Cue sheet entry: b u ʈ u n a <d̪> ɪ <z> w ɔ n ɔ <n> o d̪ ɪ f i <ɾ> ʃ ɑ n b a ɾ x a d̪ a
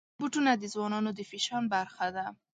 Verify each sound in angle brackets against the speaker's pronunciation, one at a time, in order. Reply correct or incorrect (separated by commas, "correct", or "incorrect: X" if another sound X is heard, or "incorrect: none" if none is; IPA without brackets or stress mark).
correct, correct, correct, incorrect: none